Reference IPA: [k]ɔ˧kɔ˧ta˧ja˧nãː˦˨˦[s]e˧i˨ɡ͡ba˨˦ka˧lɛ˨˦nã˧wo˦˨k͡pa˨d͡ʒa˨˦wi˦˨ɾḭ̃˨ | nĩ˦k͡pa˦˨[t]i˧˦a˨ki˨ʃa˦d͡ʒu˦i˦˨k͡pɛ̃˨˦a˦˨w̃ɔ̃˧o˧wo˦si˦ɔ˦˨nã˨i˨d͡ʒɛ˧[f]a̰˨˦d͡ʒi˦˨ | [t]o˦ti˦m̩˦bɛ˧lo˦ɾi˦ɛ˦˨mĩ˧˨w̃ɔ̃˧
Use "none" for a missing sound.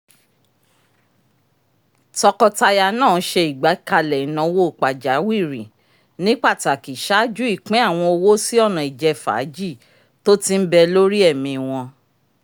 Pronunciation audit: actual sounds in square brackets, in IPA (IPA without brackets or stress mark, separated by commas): t, ʃ, t, f, t